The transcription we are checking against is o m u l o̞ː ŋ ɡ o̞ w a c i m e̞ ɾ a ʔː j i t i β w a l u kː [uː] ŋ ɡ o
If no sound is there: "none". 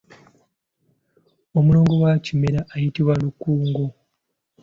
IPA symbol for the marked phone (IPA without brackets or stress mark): uː